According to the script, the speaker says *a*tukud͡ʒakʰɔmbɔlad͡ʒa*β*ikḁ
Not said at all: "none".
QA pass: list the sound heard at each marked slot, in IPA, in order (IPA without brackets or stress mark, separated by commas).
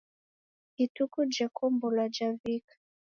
i, v